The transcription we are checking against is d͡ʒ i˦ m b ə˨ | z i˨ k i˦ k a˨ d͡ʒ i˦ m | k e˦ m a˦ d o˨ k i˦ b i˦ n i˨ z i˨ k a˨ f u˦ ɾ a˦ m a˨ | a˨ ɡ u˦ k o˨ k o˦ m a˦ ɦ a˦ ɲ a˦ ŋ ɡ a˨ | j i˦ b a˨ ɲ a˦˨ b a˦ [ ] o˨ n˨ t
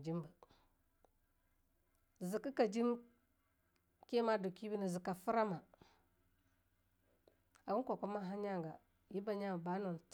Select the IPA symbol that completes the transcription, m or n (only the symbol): n